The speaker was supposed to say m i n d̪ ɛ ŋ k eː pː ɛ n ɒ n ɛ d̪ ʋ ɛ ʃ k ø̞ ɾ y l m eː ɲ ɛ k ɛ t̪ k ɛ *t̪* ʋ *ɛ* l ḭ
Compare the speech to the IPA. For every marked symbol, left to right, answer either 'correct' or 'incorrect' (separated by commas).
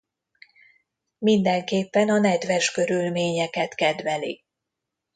incorrect, correct